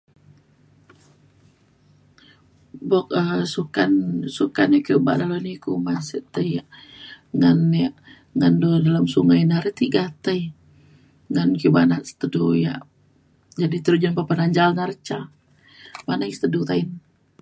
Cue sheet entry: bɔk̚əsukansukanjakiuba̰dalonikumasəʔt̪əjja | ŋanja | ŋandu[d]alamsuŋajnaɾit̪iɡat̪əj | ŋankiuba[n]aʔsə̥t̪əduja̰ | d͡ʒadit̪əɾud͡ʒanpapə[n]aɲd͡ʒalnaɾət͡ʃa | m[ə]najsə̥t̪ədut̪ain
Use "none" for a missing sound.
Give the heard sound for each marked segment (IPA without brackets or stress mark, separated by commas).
d, n, n, a